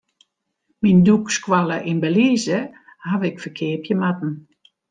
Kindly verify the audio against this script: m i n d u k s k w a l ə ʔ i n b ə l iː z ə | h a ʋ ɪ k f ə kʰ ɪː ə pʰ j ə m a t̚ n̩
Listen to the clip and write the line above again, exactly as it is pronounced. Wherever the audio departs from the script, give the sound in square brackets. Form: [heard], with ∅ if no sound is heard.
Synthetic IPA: m i n d u k s k w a l ə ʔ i n b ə l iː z ə | h a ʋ ɪ k f ə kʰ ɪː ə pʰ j ə m a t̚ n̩